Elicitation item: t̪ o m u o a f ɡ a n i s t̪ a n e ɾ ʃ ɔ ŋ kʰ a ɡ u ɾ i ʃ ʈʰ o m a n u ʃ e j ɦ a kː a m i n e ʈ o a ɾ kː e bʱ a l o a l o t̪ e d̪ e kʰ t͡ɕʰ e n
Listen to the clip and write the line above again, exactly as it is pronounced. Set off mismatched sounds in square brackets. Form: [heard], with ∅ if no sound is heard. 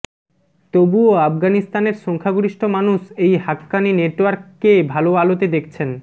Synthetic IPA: t̪ o [b] u o a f ɡ a n i s t̪ a n e ɾ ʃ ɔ ŋ kʰ a ɡ u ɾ i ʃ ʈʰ o m a n u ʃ e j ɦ a kː a [n] i n e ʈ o a ɾ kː e bʱ a l o a l o t̪ e d̪ e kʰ t͡ɕʰ e n